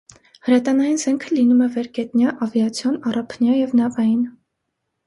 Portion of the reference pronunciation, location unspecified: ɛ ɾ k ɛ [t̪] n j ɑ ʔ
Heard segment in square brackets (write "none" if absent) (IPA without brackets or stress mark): t̪